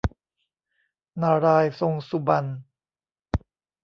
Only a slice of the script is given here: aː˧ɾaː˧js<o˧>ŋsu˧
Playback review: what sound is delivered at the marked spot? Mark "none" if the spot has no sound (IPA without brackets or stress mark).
o˧